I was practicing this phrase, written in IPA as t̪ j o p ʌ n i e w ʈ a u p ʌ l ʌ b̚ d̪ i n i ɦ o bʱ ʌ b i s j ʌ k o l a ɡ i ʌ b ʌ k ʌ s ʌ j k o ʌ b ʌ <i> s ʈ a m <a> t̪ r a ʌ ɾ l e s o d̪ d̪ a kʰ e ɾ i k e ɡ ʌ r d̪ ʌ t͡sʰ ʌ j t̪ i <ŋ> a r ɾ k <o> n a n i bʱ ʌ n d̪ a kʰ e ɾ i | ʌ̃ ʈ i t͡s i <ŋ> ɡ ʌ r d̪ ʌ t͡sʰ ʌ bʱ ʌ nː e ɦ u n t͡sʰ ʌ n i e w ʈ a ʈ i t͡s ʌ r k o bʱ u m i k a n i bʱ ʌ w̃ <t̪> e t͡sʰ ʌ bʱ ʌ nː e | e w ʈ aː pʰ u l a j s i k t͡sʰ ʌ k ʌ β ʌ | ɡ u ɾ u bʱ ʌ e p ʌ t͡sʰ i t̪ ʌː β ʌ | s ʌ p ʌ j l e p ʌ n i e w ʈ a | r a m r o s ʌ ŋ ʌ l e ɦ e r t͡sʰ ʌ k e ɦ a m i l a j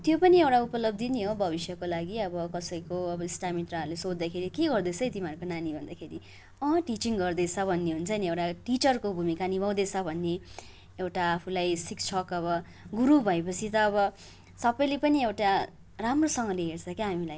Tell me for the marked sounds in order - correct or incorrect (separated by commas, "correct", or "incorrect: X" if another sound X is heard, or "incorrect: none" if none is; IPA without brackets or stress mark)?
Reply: correct, incorrect: i, incorrect: m, correct, correct, incorrect: d̪